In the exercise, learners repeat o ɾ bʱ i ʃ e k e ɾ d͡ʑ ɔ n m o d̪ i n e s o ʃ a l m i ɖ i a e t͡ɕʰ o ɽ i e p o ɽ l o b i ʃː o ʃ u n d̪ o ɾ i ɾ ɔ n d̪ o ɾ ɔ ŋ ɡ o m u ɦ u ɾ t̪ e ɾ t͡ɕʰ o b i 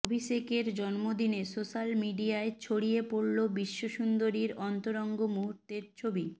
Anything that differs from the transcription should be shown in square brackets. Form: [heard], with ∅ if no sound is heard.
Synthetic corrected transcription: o [∅] bʱ i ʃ e k e ɾ d͡ʑ ɔ n m o d̪ i n e s o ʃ a l m i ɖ i a e t͡ɕʰ o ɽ i e p o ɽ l o b i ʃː o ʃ u n d̪ o ɾ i ɾ ɔ n [t̪] o ɾ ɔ ŋ ɡ o m u ɦ u ɾ t̪ e ɾ t͡ɕʰ o b i